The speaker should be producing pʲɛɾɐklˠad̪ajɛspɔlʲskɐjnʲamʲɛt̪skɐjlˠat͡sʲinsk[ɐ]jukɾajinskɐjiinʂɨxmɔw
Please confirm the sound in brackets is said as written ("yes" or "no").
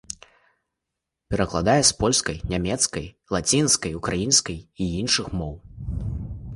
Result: yes